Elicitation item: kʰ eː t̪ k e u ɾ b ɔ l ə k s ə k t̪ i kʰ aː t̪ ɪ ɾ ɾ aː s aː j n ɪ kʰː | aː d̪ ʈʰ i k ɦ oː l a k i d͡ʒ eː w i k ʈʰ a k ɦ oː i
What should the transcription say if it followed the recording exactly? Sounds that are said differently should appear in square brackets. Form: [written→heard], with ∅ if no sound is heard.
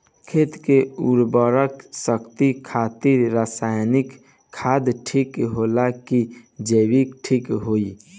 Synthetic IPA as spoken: kʰ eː t̪ k e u ɾ b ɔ [l→ɾ] ə k s ə k t̪ i kʰ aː t̪ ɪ ɾ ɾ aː s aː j n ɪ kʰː | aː d̪ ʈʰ i k ɦ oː l a k i d͡ʒ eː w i k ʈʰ [a→i] k ɦ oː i